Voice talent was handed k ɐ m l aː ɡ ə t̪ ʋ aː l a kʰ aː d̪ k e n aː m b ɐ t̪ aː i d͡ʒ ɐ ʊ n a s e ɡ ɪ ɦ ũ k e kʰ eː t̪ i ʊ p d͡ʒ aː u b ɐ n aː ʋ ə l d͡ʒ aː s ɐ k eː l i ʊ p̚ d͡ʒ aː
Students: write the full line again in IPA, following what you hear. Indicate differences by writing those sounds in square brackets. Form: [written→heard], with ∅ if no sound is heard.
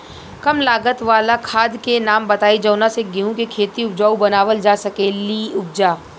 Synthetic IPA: k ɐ m l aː ɡ ə t̪ ʋ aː l a kʰ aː d̪ k e n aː m b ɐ t̪ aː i d͡ʒ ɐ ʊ n a s e ɡ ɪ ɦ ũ k e kʰ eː t̪ i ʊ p d͡ʒ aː u b ɐ n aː ʋ ə l d͡ʒ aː s ɐ k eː l i ʊ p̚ d͡ʒ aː